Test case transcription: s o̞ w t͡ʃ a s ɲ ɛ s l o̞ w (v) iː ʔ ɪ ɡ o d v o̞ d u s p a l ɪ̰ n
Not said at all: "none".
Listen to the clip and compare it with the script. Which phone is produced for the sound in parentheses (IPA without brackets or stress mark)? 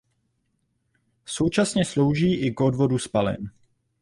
ʒ